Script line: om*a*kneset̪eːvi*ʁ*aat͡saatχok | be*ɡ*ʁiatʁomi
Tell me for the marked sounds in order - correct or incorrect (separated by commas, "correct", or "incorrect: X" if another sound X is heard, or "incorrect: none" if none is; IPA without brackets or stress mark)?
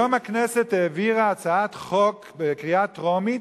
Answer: correct, correct, incorrect: k